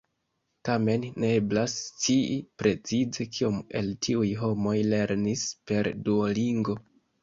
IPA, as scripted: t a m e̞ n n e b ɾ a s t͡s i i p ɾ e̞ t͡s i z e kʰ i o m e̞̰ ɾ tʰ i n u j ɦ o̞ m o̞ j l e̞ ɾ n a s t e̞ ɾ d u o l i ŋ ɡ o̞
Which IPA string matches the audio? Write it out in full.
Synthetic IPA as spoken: t a m e̞ n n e b l a s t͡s i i p ɾ e̞ t͡s i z e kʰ i o m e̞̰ l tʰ i u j ɦ o̞ m o̞ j l e̞ ɾ n i s p e̞ ɾ d u o l i ŋ ɡ o̞